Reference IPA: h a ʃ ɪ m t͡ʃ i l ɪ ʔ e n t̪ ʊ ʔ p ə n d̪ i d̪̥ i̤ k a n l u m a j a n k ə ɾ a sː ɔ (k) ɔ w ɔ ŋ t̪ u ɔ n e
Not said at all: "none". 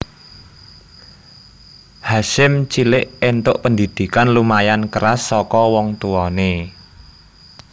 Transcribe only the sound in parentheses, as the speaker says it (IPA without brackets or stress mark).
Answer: k